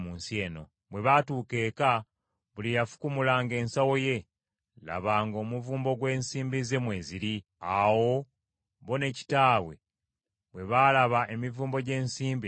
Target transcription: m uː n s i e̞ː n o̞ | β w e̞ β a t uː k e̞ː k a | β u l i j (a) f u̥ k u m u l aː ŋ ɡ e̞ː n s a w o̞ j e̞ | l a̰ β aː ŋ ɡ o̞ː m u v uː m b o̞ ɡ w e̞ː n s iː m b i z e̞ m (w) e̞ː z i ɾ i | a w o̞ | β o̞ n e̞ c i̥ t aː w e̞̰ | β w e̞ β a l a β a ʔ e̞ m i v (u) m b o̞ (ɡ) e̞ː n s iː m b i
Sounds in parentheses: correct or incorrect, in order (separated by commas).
correct, correct, incorrect, incorrect